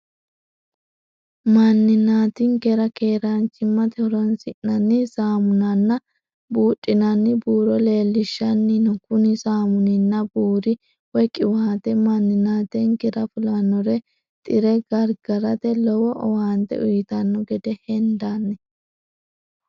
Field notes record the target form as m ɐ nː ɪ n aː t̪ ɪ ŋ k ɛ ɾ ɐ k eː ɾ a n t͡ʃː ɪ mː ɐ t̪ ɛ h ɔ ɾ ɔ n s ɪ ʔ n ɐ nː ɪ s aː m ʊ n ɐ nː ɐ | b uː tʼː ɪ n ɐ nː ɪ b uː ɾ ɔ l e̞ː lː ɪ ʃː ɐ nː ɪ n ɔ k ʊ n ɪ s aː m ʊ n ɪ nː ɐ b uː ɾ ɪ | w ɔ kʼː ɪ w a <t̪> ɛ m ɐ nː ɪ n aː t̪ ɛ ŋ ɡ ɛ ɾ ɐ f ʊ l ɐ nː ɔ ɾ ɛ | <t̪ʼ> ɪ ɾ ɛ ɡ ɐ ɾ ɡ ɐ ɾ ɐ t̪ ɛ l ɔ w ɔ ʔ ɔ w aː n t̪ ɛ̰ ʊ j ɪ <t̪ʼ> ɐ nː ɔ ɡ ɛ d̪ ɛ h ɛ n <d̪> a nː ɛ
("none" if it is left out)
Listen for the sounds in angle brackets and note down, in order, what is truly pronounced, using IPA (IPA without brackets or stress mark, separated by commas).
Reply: t̪, t̪ʼ, t̪, d̪